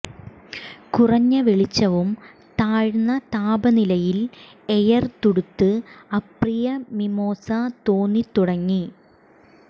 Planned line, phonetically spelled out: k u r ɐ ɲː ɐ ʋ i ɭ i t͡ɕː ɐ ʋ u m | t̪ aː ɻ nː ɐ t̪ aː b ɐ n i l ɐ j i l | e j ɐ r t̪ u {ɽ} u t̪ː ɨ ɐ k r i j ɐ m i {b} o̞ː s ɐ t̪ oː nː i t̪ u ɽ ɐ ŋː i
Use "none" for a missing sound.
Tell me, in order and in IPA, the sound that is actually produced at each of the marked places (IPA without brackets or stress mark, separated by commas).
ɽ, m